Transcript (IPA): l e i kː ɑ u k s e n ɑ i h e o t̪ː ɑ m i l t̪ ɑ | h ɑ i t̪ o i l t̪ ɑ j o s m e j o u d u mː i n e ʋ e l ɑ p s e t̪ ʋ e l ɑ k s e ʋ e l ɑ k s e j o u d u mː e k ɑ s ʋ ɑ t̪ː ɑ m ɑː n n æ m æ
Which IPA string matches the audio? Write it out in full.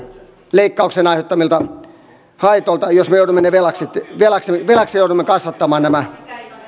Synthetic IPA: l e i kː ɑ u k s e n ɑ i h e o t̪ː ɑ m i l t̪ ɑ | h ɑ i t̪ o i l t̪ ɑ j o s m e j o u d u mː e n e ʋ e l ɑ k s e t̪ ʋ e l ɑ k s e ʋ e l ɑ k s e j o u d u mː e k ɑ s ʋ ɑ t̪ː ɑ m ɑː n n æ m æ